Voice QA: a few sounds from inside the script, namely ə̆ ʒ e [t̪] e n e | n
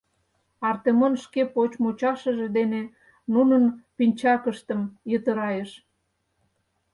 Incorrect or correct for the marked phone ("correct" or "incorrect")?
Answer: incorrect